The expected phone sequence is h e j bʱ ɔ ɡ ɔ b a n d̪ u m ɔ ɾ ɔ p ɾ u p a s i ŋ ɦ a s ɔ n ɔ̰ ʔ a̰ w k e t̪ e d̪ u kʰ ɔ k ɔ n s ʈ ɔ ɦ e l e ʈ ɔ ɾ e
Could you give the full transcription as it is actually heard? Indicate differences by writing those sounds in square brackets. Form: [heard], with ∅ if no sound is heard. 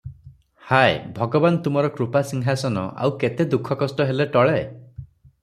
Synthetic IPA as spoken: h [a] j bʱ ɔ ɡ ɔ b a n [t̪] u m ɔ ɾ ɔ [k] ɾ u p a s i ŋ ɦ a s ɔ n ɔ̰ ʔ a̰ w k e t̪ e d̪ u kʰ ɔ k ɔ [∅] s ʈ ɔ ɦ e l e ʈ ɔ [ɭ] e